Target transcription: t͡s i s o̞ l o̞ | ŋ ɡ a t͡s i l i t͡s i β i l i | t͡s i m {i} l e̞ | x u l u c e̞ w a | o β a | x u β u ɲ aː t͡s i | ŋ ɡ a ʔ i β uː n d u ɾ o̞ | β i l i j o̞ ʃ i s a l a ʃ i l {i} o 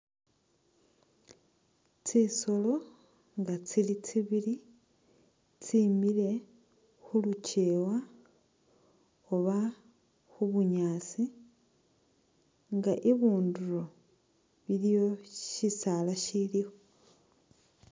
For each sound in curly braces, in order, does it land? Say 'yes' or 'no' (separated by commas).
yes, yes